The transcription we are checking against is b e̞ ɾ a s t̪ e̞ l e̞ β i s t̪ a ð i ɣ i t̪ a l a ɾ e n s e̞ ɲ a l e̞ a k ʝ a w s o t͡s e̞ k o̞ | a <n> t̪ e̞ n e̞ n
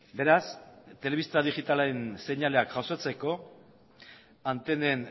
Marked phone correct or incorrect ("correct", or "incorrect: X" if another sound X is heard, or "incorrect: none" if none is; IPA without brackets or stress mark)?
correct